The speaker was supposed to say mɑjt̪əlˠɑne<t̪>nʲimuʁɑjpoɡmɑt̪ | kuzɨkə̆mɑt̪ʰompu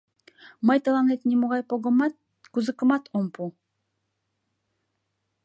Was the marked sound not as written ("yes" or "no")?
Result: no